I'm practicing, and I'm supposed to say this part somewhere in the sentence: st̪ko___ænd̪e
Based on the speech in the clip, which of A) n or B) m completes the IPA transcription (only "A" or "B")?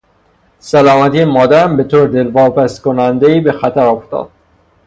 A